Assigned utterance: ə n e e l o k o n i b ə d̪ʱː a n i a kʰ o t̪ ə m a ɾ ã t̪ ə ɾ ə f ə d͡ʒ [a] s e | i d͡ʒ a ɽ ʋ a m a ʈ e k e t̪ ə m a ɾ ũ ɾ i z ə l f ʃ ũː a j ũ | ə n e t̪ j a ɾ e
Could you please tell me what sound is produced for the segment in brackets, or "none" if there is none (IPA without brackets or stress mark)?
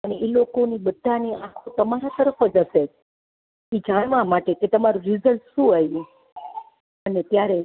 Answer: ə